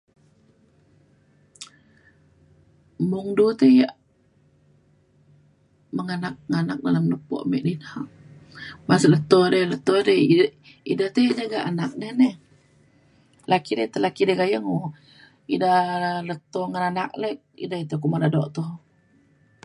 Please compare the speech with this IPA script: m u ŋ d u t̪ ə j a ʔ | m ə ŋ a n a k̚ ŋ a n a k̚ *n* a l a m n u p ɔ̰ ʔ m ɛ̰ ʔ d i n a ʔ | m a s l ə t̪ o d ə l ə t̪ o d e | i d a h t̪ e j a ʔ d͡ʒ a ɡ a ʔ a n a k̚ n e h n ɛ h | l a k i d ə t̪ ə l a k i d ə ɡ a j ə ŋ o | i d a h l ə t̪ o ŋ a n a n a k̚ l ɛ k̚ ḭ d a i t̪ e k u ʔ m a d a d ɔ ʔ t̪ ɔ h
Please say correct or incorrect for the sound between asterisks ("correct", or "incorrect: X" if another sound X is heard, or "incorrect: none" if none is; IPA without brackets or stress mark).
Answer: incorrect: d